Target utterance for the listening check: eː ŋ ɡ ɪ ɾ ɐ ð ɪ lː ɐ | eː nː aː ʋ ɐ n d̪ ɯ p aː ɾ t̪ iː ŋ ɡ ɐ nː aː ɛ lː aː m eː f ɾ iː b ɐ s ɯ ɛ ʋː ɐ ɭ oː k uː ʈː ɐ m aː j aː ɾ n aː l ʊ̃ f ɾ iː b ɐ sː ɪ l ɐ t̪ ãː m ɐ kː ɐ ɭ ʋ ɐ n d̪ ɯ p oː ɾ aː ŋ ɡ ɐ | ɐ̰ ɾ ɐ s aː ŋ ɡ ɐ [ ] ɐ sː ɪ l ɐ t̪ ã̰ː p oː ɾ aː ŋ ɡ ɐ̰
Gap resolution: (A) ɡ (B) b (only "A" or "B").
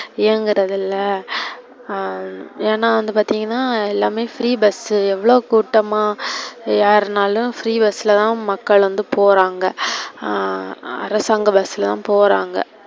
B